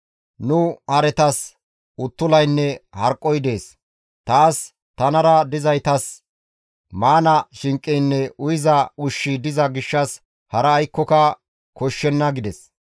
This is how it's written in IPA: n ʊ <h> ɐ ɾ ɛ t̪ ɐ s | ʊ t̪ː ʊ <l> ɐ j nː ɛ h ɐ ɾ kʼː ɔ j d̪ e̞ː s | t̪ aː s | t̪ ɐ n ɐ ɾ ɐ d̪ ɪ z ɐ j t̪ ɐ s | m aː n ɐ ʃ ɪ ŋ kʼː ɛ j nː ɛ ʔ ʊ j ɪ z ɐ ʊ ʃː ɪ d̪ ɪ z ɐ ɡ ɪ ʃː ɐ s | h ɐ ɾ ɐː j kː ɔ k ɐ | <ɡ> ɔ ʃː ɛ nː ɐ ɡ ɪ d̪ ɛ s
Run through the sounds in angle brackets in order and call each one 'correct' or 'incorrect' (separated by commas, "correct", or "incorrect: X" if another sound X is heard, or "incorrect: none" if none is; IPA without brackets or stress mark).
correct, correct, incorrect: k